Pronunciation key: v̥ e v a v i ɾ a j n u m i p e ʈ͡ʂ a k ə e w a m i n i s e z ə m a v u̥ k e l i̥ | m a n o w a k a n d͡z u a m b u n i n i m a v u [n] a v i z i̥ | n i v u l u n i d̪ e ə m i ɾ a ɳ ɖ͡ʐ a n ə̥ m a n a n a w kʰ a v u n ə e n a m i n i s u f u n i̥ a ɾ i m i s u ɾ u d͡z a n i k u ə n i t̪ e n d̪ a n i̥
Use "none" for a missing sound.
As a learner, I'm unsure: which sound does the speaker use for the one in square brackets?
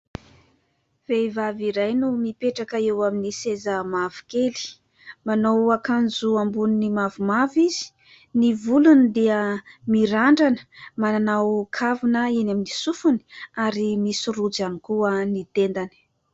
m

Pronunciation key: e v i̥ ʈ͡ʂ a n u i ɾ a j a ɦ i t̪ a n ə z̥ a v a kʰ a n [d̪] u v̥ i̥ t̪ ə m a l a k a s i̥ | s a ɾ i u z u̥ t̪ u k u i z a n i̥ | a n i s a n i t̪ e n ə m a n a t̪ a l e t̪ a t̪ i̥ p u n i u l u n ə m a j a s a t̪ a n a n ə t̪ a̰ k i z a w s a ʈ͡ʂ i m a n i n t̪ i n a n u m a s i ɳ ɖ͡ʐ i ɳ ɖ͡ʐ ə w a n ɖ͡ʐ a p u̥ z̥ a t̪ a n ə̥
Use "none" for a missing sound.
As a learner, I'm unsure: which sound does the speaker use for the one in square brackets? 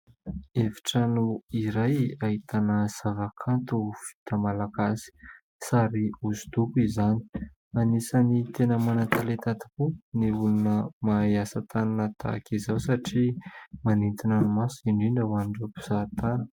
t̪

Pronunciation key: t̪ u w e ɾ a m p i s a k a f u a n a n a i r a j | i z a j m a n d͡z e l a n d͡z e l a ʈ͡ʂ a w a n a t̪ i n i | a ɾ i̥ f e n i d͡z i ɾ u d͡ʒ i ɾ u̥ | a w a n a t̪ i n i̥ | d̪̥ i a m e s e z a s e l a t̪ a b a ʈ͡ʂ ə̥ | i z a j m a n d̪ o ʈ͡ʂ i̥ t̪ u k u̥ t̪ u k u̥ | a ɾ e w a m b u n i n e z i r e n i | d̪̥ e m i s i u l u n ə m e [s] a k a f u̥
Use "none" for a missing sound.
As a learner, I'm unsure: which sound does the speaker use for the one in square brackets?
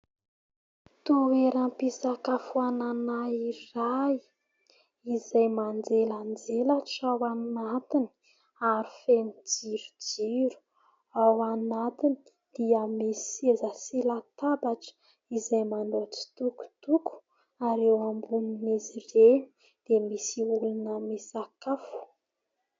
s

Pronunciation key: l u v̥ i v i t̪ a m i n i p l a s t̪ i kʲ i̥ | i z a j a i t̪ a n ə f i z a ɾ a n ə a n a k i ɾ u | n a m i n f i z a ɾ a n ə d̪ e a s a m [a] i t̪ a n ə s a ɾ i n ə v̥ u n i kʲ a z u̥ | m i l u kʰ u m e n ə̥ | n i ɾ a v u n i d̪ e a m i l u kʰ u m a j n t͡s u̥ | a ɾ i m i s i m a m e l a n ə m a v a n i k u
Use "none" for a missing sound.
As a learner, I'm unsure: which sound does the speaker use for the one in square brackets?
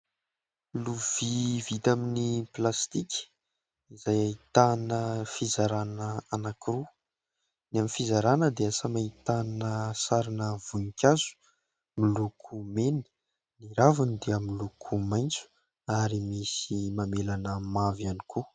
a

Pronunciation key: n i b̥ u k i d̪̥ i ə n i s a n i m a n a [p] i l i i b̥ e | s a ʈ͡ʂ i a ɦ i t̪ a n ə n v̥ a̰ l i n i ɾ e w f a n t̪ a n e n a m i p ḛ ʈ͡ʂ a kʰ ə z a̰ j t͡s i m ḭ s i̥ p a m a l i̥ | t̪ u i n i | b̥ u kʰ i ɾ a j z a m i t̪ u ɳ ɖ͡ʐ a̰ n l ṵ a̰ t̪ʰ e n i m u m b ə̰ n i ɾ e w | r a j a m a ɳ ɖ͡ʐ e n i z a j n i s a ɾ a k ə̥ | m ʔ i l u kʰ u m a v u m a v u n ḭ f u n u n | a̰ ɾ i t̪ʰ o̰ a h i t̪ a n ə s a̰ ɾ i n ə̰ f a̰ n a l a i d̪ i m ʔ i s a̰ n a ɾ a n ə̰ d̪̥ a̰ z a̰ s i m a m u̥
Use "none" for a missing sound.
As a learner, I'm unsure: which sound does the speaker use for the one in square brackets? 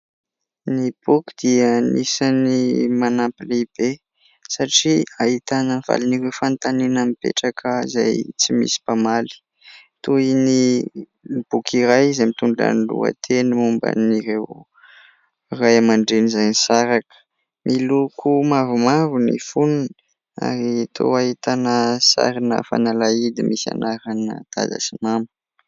p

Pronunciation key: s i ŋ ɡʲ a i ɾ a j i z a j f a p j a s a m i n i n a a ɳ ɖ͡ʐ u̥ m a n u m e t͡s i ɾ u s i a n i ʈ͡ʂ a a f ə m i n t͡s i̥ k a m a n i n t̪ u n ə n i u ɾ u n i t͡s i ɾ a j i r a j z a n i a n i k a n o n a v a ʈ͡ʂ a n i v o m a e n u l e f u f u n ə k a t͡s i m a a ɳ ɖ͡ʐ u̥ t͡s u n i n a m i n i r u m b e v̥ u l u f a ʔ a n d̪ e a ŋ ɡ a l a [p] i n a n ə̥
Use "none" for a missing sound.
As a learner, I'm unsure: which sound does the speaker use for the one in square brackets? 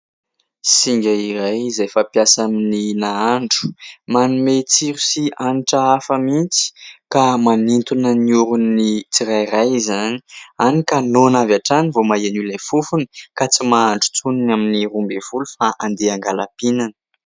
p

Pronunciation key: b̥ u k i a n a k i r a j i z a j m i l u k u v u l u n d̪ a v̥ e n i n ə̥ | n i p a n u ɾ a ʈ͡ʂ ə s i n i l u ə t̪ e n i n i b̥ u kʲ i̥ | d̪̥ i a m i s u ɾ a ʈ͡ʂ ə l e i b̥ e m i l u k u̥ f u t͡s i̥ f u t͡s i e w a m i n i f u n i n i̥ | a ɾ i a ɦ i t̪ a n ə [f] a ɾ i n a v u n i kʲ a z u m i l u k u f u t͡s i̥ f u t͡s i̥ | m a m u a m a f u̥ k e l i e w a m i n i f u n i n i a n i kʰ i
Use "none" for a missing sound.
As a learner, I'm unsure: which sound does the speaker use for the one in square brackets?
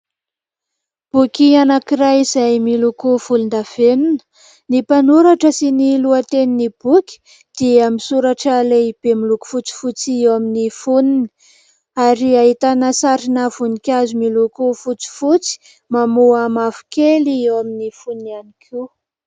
s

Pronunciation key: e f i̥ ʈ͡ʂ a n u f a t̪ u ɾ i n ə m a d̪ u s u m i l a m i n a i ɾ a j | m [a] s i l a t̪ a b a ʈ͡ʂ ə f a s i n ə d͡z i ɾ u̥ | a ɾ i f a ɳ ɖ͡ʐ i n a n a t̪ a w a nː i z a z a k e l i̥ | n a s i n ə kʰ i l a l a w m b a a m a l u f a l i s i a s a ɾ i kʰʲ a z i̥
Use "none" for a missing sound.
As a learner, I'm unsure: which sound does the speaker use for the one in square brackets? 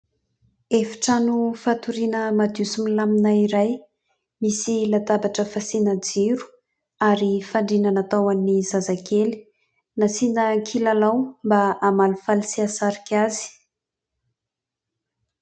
i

